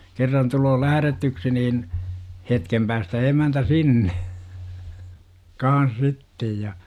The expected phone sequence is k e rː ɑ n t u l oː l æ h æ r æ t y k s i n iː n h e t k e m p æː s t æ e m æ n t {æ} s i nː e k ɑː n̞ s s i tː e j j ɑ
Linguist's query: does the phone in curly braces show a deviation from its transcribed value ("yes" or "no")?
no